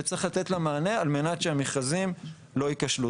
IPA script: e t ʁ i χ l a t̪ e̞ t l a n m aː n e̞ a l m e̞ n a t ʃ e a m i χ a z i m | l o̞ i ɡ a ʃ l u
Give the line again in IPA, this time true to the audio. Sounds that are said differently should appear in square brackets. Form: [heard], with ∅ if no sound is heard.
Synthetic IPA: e [t͡s] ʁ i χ l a t̪ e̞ t l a [∅] m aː n e̞ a l m e̞ n a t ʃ e a m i χ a z i m | l o̞ i [k] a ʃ l u

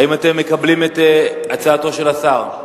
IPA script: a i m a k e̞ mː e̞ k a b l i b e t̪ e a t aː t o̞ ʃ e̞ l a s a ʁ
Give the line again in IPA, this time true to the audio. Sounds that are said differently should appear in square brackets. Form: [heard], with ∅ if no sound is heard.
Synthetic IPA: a i m a [t] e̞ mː e̞ k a b l i [m] e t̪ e a [t͡s] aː t o̞ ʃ e̞ l a s a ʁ

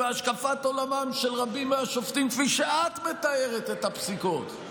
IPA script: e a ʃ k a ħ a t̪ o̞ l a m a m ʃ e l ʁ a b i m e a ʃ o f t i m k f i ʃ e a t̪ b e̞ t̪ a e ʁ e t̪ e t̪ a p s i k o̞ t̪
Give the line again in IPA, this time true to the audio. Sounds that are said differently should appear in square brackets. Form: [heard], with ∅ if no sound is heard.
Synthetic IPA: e a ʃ k a [f] a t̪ o̞ l a m a m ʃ e l ʁ a b i m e a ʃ o f t i m k f i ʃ e a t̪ [m] e̞ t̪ a e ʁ e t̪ e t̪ a p s i k o̞ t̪

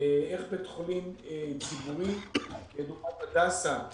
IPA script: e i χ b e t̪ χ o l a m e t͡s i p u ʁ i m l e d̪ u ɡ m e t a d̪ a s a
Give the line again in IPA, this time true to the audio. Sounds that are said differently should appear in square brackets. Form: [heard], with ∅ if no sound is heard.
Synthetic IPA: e [e] χ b e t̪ χ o l [i] m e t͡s i [b] u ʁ i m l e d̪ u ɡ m [a] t a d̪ a s a

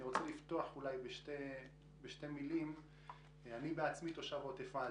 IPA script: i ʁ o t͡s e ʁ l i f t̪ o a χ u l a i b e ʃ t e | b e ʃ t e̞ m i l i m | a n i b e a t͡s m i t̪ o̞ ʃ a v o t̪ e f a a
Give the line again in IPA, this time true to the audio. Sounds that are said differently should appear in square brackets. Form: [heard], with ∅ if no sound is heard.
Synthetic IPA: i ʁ o t͡s e [∅] l i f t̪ o a χ u l a [j] b e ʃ t e | b e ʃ t e̞ m i l i m | a n i b e a t͡s m i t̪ o̞ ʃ a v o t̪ e f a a

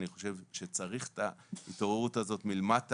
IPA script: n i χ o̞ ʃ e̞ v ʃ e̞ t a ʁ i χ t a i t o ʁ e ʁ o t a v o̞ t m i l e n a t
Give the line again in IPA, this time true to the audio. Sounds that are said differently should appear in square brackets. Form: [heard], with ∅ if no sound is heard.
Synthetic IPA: n i χ o̞ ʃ e̞ v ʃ e̞ [t͡s] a ʁ i χ t a i t o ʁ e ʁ [u] t a [z] o̞ t m i l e [m] a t

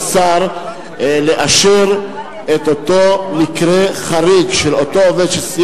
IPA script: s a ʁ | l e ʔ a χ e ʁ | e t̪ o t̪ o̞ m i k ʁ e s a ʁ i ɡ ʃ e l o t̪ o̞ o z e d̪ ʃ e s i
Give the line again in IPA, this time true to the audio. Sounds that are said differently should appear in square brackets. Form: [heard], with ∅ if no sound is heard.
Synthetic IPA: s a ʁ | l e ʔ a [ʃ] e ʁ | e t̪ o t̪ o̞ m i k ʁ e [χ] a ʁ i ɡ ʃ e l o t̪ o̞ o [v] e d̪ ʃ e s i

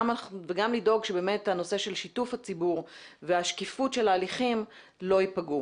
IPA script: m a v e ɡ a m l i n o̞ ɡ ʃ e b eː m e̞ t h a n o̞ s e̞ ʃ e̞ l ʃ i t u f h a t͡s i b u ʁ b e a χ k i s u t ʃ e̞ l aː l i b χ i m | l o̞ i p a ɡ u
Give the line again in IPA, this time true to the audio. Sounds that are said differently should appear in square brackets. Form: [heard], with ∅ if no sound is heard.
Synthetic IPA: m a v e ɡ a m l i [d] o̞ ɡ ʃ e b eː m e̞ t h a n o̞ s e̞ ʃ e̞ l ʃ i t u f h a t͡s i b u ʁ [v] e a [ʃ] k i [f] u t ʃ e̞ l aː l i [∅] χ i m | l o̞ i p a ɡ u

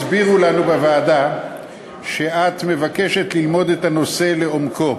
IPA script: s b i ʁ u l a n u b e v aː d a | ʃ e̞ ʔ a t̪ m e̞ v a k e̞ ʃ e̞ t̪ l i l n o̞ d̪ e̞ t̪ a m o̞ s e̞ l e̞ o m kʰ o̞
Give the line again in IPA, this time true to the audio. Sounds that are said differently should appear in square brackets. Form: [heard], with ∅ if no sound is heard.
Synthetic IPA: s b i ʁ u l a n u b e v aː d a | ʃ e̞ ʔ a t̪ m e̞ v a k e̞ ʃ e̞ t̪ l i l [m] o̞ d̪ e̞ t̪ a [n] o̞ s e̞ l e̞ o m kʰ o̞

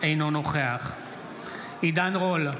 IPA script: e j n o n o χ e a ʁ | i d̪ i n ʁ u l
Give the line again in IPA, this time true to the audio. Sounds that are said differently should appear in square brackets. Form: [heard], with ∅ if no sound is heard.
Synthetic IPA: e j n o n o χ e a [χ] | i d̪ [a] n ʁ [o] l

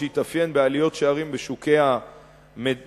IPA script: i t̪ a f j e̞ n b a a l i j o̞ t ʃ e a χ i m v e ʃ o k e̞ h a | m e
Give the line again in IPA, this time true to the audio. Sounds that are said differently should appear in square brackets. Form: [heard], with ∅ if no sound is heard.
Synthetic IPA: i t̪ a f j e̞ n b [e] a l i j o̞ t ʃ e a [ʁ] i m [b] e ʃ [u] k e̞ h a | m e

